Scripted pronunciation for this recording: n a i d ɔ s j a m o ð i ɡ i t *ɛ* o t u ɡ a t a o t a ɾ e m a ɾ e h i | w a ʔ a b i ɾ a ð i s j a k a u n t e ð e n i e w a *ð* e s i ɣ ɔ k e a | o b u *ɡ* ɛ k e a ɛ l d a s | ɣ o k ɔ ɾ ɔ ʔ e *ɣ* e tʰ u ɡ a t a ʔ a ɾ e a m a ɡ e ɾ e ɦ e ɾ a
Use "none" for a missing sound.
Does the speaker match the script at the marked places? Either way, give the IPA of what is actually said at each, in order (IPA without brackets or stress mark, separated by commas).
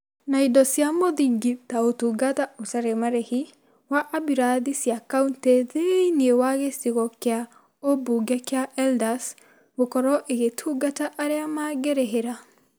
a, ɣ, ɡ, ɣ